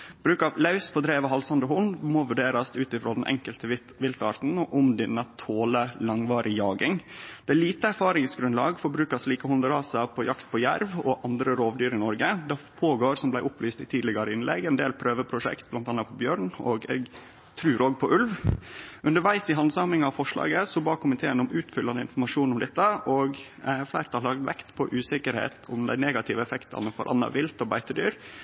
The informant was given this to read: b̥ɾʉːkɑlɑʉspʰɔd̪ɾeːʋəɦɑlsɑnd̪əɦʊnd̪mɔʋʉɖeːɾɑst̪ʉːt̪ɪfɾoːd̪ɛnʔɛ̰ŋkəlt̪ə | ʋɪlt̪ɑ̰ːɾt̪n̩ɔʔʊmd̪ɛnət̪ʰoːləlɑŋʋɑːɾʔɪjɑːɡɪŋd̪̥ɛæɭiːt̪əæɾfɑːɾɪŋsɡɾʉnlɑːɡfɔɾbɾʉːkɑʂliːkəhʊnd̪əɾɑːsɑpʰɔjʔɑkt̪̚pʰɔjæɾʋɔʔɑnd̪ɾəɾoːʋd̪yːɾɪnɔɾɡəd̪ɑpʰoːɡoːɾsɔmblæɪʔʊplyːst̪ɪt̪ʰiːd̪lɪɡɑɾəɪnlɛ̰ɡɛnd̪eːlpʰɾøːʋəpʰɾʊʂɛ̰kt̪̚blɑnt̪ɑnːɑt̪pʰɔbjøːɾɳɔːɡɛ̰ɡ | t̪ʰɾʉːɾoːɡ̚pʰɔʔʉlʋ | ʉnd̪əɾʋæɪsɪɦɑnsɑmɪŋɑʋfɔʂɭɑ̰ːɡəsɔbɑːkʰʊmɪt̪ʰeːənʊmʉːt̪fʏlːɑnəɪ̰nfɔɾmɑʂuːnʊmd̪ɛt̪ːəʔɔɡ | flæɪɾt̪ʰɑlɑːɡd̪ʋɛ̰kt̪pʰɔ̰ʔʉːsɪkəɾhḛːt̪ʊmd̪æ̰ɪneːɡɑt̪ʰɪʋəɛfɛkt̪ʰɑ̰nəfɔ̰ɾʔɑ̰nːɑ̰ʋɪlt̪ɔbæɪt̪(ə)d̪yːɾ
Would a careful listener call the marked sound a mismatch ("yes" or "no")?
no